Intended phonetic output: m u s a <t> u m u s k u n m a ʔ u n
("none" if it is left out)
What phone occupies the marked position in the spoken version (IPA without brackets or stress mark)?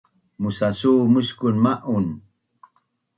s